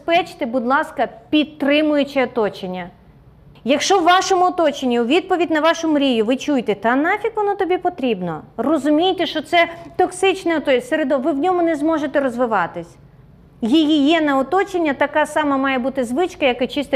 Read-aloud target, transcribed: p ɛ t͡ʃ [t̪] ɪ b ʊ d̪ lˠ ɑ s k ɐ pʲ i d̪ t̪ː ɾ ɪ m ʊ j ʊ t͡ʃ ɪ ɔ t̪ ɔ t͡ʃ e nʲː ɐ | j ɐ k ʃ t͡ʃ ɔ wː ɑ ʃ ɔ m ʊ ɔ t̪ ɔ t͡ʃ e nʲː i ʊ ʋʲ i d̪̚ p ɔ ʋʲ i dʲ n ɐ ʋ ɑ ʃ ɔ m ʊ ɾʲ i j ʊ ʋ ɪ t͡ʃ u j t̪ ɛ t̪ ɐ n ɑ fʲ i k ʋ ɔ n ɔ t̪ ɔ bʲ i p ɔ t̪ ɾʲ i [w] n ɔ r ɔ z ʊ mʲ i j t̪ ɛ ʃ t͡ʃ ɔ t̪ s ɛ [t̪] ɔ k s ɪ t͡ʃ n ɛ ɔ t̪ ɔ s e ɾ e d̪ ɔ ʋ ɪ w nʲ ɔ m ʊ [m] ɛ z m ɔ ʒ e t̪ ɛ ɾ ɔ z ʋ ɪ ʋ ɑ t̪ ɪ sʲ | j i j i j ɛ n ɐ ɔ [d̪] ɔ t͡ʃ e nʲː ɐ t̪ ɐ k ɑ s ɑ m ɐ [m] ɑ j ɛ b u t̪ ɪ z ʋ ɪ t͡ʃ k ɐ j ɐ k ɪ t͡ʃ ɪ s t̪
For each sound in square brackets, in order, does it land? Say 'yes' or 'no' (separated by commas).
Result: yes, no, yes, no, no, yes